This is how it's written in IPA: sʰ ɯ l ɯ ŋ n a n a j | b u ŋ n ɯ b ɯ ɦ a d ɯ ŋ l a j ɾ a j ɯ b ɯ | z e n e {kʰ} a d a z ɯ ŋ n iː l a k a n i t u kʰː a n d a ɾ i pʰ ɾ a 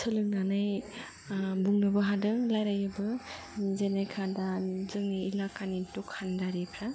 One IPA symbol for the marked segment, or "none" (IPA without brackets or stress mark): kʰ